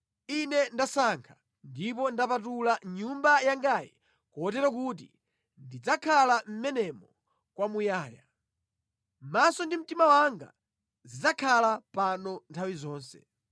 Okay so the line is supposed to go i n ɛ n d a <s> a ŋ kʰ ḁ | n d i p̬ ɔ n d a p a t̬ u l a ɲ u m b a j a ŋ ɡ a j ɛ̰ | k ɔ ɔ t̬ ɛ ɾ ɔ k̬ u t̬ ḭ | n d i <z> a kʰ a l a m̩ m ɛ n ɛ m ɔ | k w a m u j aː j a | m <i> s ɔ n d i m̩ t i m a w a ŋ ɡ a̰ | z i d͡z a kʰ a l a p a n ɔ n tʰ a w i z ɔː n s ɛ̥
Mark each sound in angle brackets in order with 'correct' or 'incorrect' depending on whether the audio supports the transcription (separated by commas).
correct, incorrect, incorrect